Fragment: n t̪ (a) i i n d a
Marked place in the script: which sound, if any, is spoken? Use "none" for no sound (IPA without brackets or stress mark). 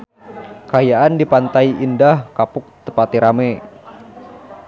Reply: a